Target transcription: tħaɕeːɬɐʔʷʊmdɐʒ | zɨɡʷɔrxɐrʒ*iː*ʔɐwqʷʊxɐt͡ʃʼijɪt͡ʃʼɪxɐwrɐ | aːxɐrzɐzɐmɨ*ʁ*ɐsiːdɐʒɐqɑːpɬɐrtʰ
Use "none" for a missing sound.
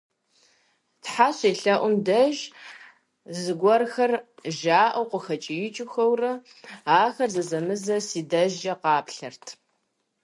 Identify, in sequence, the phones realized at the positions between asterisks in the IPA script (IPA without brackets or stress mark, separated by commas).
aː, z